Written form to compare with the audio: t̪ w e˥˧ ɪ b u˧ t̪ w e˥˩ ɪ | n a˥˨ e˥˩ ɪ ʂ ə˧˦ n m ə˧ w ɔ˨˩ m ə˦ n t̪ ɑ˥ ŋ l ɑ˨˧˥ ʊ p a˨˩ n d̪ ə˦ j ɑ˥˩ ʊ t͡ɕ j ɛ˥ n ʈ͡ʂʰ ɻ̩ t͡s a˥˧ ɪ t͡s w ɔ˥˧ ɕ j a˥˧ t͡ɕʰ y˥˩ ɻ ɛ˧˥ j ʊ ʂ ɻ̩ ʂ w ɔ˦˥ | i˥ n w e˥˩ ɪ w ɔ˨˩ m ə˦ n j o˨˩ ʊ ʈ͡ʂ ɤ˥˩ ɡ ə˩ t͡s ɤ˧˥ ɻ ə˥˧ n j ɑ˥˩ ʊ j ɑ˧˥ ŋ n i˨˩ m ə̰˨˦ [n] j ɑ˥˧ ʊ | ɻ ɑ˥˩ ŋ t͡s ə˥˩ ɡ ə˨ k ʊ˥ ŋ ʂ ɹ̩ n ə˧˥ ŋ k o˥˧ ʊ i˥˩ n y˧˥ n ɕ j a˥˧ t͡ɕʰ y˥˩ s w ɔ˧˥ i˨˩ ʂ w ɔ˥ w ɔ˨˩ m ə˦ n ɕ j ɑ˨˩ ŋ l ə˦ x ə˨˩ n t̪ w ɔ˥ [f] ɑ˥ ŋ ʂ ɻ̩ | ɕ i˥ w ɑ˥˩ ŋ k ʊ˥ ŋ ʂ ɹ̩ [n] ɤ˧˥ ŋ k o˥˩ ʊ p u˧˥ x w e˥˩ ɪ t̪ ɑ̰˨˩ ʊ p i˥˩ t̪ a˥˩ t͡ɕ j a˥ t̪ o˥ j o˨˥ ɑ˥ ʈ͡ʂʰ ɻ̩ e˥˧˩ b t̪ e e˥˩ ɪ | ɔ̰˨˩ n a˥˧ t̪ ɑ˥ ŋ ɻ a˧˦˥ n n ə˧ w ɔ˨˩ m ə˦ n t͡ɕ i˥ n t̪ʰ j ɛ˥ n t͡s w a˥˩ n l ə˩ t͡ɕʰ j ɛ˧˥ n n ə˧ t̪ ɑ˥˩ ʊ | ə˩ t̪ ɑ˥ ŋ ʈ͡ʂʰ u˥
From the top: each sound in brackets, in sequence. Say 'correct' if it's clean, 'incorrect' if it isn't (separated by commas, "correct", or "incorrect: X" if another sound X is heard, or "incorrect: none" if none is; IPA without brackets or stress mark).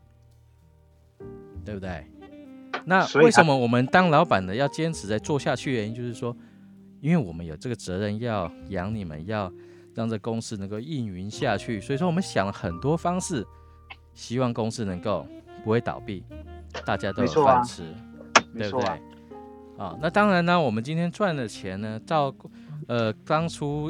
correct, correct, correct